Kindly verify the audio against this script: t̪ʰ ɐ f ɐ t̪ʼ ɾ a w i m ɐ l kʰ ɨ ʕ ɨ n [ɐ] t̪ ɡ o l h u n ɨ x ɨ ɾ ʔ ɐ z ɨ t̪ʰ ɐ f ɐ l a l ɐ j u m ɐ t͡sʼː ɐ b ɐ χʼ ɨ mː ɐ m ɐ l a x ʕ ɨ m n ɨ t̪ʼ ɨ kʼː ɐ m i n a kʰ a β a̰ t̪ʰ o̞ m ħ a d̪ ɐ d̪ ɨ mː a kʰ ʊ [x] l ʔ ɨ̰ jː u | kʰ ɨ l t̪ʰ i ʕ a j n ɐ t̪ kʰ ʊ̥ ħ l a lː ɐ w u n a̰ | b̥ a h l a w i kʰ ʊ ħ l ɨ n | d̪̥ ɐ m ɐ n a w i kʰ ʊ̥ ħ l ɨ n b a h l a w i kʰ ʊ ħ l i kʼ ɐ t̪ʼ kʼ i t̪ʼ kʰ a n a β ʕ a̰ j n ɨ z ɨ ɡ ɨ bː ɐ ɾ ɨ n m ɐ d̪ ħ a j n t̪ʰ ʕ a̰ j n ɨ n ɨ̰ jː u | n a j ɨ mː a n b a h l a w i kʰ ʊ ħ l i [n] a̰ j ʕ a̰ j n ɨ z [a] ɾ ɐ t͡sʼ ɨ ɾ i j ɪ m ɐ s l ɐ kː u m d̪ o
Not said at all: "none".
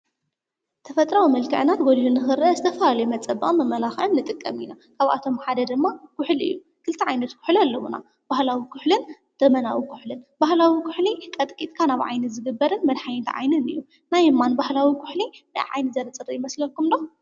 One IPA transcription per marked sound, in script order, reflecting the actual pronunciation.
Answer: a, ħ, n, ɐ

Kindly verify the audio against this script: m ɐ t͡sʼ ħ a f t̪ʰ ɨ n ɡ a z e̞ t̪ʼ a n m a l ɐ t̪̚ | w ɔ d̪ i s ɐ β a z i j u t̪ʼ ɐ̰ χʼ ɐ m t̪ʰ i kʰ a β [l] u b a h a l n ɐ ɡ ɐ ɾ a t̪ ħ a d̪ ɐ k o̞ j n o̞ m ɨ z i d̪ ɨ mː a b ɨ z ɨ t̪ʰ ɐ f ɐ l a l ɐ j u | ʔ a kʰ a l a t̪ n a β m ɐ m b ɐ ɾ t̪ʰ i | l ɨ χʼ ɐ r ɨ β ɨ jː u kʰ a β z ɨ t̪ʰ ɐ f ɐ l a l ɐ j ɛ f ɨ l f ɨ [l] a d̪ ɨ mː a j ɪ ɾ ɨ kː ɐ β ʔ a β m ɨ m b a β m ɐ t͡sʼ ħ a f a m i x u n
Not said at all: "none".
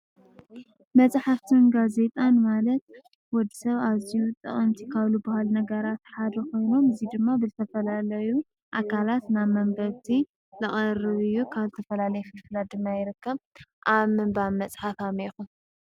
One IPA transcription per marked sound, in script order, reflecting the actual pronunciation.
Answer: l, l

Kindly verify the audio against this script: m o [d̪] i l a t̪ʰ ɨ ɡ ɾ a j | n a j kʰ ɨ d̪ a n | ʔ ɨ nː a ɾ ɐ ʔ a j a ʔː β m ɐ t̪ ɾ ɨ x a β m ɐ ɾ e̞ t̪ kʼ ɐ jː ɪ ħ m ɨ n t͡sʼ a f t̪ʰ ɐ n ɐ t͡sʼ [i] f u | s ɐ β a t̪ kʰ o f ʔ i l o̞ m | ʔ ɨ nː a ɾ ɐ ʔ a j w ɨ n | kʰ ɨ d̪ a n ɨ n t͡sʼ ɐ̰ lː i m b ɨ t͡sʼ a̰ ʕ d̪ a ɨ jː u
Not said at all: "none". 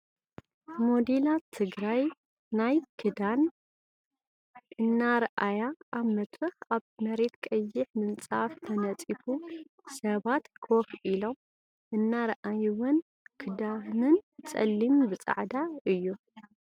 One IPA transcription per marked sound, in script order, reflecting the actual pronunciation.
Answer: d̪, i

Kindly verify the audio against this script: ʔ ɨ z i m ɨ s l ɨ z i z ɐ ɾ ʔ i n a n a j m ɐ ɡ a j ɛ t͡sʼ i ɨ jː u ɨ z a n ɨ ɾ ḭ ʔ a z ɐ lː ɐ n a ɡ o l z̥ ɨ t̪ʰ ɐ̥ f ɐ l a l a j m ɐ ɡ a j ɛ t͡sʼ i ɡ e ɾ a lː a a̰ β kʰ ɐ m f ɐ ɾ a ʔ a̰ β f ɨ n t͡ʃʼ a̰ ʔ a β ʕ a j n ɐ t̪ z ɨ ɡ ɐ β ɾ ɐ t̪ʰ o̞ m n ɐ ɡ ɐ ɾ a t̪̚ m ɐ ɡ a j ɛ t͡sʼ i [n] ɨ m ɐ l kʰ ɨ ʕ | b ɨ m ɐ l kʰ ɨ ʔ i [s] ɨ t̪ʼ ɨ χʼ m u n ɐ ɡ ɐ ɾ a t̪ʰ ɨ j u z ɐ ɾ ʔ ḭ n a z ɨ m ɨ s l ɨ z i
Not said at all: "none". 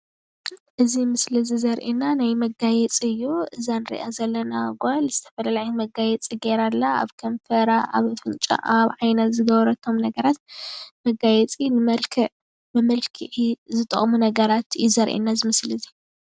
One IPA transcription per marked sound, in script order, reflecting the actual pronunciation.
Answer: n, z

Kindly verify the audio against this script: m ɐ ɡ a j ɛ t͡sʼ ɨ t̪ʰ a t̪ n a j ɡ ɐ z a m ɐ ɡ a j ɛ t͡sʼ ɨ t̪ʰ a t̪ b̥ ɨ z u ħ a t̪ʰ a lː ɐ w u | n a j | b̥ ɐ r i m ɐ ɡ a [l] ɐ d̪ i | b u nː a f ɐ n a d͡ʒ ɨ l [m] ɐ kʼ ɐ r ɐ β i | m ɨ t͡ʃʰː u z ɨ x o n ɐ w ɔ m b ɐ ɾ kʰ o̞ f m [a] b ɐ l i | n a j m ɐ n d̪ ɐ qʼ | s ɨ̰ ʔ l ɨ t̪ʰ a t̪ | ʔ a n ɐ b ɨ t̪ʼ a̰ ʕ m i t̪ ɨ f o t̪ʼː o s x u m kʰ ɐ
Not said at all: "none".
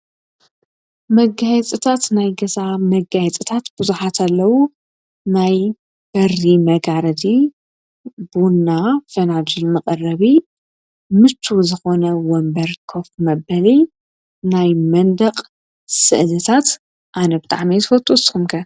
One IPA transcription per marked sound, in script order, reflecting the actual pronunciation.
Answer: ɾ, m, ɐ

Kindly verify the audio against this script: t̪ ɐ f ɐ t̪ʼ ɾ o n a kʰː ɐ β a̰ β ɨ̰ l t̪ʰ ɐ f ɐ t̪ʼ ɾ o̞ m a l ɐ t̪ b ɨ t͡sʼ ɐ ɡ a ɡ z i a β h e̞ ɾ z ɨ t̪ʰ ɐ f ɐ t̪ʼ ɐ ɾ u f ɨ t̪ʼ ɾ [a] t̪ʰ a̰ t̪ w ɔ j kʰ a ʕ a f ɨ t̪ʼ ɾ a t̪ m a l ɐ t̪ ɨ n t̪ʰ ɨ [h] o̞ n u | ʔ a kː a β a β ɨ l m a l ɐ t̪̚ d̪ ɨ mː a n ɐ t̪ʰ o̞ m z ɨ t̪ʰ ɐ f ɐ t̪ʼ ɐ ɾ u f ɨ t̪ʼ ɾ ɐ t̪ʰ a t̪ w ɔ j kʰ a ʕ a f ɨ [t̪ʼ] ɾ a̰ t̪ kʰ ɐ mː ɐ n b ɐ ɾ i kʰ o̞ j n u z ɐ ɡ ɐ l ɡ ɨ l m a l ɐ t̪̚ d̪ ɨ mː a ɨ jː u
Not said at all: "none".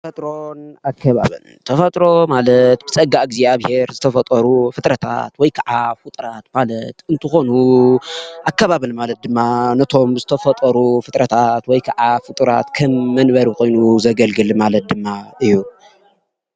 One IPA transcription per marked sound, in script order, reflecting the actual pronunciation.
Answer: ɐ, x, t̪ʼ

